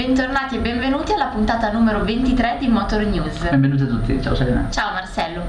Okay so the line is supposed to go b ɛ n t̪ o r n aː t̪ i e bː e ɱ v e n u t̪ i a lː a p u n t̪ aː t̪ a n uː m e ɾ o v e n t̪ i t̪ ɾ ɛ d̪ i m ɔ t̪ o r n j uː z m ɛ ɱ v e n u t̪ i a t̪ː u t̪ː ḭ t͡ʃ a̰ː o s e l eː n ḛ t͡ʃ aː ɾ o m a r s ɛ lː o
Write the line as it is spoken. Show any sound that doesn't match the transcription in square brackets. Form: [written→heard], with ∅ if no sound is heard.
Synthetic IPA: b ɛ n t̪ o r n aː t̪ i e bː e ɱ v e n [u→uː] t̪ i a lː a p u n t̪ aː t̪ a n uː m e ɾ o v e n t̪ i t̪ ɾ ɛ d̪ i m ɔ t̪ o r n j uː z [m→b] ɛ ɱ v e n u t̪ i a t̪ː u t̪ː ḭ t͡ʃ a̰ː o s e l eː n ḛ t͡ʃ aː [ɾ→∅] o m a r s ɛ lː o